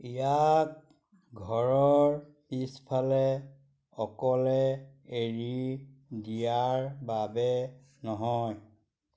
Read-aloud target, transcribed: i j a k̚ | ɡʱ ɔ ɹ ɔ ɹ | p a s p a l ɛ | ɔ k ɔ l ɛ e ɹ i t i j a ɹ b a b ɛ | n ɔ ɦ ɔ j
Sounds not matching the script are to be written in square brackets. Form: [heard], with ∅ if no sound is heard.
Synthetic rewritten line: i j a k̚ | ɡʱ ɔ ɹ ɔ ɹ | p [i] s [pʰ] a l ɛ | ɔ k ɔ l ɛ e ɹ i [d] i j a ɹ b a b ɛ | n ɔ ɦ ɔ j

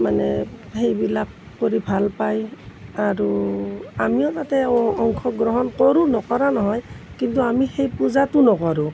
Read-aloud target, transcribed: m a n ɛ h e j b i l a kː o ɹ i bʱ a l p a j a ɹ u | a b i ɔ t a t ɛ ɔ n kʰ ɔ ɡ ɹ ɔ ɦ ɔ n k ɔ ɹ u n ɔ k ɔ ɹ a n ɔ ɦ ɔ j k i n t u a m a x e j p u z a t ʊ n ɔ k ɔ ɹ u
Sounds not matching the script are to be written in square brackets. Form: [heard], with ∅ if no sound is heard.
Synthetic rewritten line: m a n ɛ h e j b i l a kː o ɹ i bʱ a l p a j a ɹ u | a [m] i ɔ t a t ɛ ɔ [ŋ] kʰ ɔ ɡ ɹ ɔ ɦ ɔ n k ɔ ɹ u n ɔ k ɔ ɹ a n ɔ ɦ ɔ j k i n t u a m [i] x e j p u z a t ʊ n ɔ k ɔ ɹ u

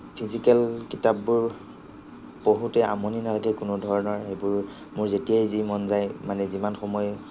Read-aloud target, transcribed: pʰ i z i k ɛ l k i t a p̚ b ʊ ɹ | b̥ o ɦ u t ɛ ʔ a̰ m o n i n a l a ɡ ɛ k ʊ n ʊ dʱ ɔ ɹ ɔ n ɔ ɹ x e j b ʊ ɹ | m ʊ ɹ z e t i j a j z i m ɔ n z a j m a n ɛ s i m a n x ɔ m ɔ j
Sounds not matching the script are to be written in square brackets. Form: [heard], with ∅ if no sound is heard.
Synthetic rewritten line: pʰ i z i k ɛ l k i t a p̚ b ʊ ɹ | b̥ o ɦ u t ɛ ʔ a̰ m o n i n a l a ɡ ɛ k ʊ n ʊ dʱ ɔ ɹ ɔ n ɔ ɹ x e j b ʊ ɹ | m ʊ ɹ z e t i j a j z i m ɔ n z a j m a n ɛ [z] i m a n x ɔ m ɔ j

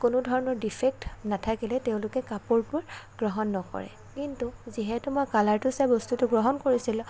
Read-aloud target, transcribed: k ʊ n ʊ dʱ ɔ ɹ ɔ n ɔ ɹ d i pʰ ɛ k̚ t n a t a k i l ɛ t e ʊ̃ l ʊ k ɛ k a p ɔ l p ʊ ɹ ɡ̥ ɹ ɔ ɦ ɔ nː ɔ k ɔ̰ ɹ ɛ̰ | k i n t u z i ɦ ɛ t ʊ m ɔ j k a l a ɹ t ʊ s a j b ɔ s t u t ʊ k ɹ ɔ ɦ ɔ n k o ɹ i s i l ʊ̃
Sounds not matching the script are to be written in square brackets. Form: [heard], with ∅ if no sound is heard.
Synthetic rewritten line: k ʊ n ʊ dʱ ɔ ɹ ɔ n ɔ ɹ d i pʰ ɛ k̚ t n a [tʰ] a k i l ɛ t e ʊ̃ l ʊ k ɛ k a p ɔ [ɹ] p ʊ ɹ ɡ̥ ɹ ɔ ɦ ɔ nː ɔ k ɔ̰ ɹ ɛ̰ | k i n t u z i ɦ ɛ t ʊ m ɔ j k a l a ɹ t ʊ s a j b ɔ s t u t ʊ [ɡ] ɹ ɔ ɦ ɔ n k o ɹ i s i l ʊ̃

